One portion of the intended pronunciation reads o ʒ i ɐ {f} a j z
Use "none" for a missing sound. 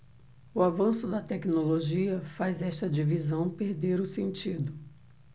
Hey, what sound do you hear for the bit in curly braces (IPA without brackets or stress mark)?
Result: f